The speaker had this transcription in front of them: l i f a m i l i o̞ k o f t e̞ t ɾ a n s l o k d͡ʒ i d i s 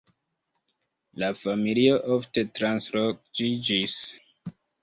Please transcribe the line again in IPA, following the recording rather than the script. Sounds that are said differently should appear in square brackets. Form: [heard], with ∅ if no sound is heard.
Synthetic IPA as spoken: l [a] f a m i l i o̞ [ʔ] o f t e̞ t ɾ a n s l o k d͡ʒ i [d͡ʒ] i s

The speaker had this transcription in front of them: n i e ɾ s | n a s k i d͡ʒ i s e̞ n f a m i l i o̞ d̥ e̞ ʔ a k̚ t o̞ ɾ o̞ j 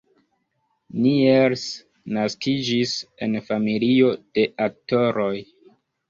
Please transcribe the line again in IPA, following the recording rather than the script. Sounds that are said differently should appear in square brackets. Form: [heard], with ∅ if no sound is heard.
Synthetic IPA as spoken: n i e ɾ s | n a s k i d͡ʒ i s e̞ n f a m i l i o̞ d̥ e̞ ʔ a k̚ t o̞ ɾ o̞ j

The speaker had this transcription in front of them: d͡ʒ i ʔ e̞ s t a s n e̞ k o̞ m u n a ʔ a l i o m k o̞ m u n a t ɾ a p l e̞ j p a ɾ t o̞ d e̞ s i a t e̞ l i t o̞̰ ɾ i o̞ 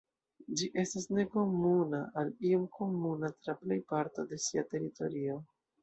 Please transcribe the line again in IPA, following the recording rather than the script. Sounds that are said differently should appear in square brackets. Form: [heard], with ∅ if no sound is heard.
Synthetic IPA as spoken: d͡ʒ i ʔ e̞ s t a s n e̞ k o̞ m u n a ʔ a l i o m k o̞ m u n a t ɾ a p l e̞ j p a ɾ t o̞ d e̞ s i a t e̞ [ɾ] i t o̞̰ ɾ i o̞

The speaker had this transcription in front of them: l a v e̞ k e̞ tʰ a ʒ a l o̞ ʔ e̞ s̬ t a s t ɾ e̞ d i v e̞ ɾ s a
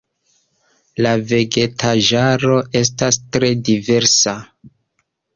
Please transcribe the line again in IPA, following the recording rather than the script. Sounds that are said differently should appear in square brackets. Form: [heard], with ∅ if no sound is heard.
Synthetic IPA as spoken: l a v e̞ [ɡ] e̞ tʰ a ʒ a [ɾ] o̞ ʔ e̞ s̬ t a s t ɾ e̞ d i v e̞ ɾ s a

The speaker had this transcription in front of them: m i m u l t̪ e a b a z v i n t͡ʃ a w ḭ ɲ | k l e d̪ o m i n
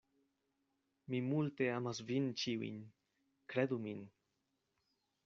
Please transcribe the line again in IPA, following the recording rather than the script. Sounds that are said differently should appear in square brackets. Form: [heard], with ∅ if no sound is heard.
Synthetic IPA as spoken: m i m u l t̪ e a [m] a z v i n t͡ʃ [i] w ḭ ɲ | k [ɾ] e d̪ [u] m i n

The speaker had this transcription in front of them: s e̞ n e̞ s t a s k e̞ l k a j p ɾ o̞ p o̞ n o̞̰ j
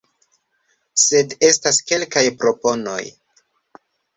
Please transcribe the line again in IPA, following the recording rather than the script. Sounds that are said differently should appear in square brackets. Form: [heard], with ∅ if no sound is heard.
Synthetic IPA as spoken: s e̞ [d] e̞ s t a s k e̞ l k a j p ɾ o̞ p o̞ n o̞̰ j

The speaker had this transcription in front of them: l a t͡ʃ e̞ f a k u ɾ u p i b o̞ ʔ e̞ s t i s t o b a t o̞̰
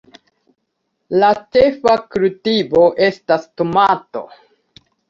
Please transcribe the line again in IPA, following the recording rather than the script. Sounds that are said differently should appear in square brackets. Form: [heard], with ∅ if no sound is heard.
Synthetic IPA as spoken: l a t͡ʃ e̞ f a k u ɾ u [t] i b o̞ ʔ e̞ s t [a] s t o [m] a t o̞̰

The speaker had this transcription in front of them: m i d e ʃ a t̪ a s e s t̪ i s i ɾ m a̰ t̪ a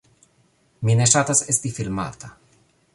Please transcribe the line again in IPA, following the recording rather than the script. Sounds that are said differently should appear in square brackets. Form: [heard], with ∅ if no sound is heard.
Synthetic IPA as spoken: m i [n] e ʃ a t̪ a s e s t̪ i [f] i [l] m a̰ t̪ a

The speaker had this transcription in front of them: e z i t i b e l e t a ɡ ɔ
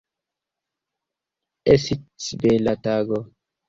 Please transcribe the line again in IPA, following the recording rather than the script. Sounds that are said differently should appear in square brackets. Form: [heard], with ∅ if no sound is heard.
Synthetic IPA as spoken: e [s] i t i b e l [a] t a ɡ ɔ

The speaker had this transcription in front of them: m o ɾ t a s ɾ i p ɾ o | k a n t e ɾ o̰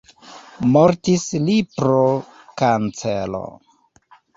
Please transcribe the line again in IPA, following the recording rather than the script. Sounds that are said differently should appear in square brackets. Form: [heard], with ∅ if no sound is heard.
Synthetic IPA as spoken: m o ɾ t [i] s [l] i p ɾ o | k a n [t͡s] e [l] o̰

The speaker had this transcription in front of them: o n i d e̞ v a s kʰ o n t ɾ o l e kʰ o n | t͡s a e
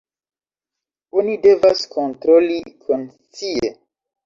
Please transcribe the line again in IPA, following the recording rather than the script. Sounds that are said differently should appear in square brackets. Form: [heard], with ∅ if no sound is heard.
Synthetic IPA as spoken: o n i d e̞ v a s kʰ o n t ɾ o l [i] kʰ o n | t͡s [i] e

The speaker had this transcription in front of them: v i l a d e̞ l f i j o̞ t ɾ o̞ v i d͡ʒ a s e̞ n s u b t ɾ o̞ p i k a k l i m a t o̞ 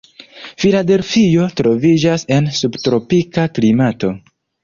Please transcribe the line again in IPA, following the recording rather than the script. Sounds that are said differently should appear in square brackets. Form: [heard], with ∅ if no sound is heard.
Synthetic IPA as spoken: [f] i l a d e̞ l f i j o̞ t ɾ o̞ v i d͡ʒ a s e̞ n s u b t ɾ o̞ p i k a k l i m a t o̞

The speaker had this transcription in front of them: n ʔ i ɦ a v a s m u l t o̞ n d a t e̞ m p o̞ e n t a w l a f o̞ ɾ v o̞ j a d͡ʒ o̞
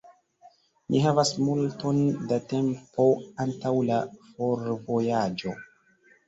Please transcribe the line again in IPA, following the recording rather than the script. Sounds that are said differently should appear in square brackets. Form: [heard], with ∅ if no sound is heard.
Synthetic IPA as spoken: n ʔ i ɦ a v a s m u l t o̞ n d a t e̞ m p o̞ [a] n t a w l a f o̞ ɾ v o̞ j a d͡ʒ o̞

